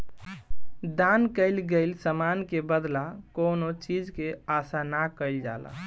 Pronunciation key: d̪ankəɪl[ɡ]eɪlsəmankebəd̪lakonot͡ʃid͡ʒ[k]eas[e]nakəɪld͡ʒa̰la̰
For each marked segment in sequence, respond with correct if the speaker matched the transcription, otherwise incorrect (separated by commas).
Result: correct, correct, incorrect